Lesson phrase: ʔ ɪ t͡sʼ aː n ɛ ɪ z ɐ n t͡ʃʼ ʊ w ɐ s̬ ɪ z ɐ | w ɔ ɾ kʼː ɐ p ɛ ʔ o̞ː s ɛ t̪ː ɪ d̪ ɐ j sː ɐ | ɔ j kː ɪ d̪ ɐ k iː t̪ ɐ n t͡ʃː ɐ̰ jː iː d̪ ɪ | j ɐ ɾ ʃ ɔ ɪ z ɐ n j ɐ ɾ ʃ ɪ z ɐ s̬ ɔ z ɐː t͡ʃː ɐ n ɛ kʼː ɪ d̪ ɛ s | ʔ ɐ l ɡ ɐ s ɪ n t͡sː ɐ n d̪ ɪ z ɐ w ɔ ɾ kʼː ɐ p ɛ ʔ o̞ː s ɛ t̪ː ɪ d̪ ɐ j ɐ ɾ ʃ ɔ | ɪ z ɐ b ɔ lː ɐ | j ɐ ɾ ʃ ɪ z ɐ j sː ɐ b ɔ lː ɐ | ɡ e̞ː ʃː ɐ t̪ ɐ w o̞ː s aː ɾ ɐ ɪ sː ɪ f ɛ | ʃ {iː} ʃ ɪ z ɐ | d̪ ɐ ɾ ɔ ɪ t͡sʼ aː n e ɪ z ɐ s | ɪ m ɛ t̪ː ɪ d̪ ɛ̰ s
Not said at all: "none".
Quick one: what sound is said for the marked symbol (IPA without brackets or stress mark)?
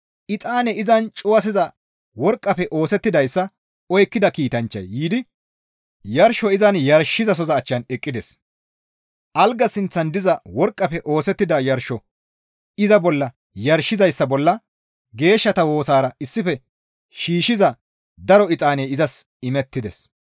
iː